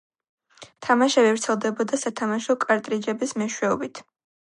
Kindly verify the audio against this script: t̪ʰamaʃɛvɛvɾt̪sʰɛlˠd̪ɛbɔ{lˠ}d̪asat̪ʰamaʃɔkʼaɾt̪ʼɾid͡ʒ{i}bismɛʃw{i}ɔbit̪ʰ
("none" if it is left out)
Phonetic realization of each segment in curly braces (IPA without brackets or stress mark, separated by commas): none, ɛ, ɛ